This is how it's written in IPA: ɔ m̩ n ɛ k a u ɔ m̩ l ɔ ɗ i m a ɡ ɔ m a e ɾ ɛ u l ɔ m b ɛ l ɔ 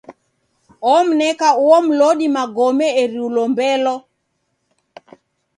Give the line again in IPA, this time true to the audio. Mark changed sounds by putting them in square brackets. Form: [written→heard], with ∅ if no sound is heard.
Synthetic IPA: ɔ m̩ n ɛ k a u ɔ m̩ l ɔ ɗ i m a ɡ ɔ m [a→ɛ] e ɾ [ɛ→i] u l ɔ m b ɛ l ɔ